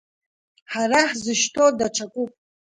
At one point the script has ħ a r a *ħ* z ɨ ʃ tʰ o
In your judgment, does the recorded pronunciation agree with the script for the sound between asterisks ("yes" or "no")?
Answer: yes